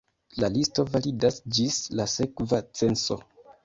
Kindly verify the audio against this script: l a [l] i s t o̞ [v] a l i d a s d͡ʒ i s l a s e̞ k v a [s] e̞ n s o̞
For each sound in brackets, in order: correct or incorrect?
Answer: correct, correct, incorrect: t͡s

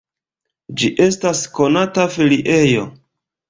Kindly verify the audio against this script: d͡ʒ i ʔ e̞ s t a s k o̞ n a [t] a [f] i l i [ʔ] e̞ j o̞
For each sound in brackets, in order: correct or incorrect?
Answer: correct, correct, correct

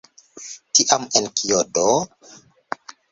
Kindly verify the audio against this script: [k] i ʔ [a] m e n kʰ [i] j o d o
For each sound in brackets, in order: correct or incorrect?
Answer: incorrect: t, correct, correct

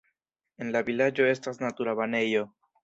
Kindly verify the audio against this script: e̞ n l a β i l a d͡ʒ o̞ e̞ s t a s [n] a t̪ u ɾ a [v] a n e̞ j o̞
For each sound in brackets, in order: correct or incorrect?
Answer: correct, incorrect: β

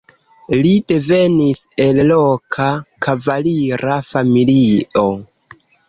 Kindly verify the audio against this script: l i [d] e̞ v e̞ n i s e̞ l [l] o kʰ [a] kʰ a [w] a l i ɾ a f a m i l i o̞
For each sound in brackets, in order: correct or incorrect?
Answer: correct, correct, correct, incorrect: v

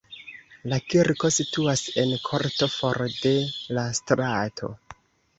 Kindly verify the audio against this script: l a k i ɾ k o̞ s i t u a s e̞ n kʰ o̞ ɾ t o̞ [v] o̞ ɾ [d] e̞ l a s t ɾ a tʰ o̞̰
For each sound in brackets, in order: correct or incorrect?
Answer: incorrect: f, correct

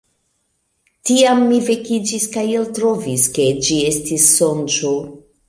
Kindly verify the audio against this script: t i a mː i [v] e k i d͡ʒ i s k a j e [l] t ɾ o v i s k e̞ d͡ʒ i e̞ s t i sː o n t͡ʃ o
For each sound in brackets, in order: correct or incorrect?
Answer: correct, correct

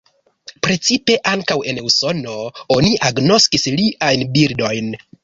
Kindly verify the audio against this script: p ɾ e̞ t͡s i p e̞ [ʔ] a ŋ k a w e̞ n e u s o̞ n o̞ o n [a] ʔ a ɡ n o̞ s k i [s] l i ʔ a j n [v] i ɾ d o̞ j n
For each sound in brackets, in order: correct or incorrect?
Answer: correct, incorrect: i, correct, incorrect: b

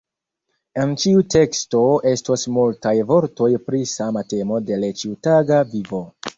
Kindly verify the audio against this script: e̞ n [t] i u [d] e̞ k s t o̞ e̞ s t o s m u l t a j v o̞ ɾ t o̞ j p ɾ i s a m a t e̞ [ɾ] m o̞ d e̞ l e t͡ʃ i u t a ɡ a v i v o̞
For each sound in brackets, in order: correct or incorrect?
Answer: incorrect: t͡ʃ, incorrect: t, incorrect: none

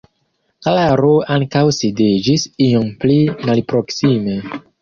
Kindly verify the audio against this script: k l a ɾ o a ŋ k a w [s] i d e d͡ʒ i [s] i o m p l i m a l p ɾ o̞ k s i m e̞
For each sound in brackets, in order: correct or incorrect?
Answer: correct, correct

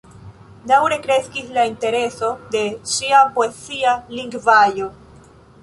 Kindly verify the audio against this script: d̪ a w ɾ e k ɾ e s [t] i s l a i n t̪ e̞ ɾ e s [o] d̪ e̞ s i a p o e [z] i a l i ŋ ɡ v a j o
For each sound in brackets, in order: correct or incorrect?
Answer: incorrect: k, correct, incorrect: s

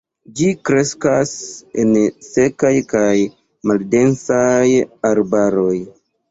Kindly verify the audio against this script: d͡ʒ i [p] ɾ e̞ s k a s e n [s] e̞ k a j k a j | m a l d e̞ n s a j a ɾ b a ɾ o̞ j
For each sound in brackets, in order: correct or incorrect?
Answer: incorrect: k, correct

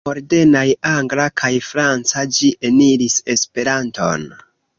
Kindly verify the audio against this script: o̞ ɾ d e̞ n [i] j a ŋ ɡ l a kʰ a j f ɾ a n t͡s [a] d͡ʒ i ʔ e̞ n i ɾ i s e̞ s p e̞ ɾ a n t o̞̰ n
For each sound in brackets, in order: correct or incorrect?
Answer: incorrect: a, correct

